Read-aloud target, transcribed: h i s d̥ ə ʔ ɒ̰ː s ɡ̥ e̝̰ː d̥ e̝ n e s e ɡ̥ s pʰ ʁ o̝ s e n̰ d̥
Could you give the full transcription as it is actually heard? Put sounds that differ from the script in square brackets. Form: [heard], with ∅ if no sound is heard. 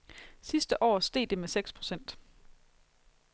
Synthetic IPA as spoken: [s] i s d̥ ə ʔ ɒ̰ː s [d̥] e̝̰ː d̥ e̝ [m] e s e ɡ̥ s pʰ ʁ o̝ s e n̰ d̥